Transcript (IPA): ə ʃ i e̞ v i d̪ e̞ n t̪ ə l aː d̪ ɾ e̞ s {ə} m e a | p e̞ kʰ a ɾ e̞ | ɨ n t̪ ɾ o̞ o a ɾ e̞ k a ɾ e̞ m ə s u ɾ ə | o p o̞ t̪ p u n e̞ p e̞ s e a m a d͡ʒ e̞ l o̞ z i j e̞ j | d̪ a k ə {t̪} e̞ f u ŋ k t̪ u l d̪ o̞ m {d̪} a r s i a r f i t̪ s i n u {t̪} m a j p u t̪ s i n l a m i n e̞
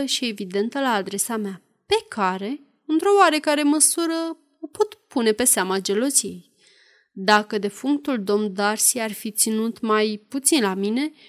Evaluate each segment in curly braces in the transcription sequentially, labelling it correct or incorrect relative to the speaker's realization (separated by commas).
incorrect, incorrect, correct, correct